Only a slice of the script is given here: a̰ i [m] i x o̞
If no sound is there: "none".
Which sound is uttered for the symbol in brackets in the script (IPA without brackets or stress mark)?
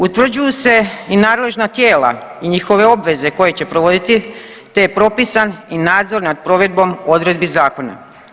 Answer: ɲ